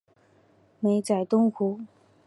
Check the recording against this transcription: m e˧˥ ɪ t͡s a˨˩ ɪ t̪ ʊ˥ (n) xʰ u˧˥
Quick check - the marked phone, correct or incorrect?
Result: incorrect